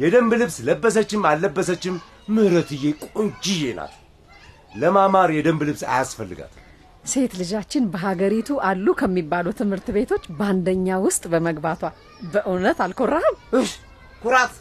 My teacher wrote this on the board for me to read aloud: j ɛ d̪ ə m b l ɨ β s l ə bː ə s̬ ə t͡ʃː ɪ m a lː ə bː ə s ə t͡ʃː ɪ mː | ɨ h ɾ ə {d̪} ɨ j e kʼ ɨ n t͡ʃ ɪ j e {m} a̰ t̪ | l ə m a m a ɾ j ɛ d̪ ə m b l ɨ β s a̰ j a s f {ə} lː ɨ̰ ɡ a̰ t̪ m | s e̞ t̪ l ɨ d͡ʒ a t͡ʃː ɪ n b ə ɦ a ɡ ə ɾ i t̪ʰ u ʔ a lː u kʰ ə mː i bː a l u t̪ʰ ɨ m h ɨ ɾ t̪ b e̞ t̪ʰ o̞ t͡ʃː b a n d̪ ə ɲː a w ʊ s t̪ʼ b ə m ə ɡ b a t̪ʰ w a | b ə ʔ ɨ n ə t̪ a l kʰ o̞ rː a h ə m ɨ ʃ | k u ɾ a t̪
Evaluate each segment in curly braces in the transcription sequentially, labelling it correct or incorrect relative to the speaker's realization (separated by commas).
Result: incorrect, incorrect, correct